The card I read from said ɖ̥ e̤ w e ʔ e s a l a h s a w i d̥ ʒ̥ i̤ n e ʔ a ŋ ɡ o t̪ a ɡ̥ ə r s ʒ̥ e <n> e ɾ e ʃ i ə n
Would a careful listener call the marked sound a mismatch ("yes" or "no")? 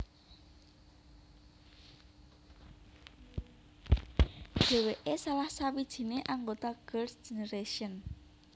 no